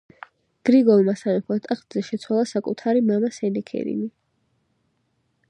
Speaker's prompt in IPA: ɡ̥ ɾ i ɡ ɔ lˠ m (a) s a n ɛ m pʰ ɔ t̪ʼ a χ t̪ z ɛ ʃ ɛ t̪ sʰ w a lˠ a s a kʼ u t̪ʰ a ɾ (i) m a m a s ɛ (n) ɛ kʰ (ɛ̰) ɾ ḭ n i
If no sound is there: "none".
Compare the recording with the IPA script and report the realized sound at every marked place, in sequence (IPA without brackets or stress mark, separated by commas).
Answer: a, i, n, ɛ̰